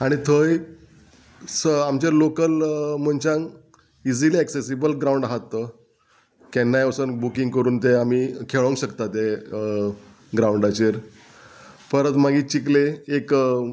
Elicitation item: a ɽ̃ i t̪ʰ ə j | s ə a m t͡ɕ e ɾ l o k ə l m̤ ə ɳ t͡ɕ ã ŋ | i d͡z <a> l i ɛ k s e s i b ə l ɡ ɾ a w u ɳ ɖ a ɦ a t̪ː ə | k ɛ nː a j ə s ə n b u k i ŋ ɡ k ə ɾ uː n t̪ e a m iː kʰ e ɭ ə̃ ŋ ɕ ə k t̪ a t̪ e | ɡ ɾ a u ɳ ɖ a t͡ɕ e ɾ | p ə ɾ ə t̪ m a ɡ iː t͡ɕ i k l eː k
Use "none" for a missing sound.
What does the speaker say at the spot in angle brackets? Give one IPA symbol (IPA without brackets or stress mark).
i